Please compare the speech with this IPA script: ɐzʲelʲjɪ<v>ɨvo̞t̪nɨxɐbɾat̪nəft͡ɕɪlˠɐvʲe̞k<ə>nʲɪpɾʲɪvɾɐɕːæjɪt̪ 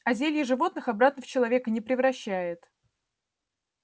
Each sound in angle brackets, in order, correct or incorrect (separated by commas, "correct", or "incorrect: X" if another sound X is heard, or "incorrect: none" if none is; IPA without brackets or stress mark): incorrect: ʐ, correct